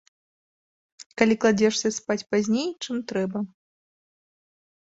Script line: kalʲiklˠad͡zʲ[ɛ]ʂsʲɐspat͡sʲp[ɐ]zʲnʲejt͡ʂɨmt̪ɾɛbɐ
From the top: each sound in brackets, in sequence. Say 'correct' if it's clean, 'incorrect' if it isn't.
correct, incorrect: a

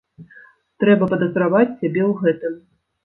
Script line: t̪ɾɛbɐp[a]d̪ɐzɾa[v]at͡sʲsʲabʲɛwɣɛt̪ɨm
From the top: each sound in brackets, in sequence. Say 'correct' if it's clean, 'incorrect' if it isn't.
incorrect: ɐ, correct

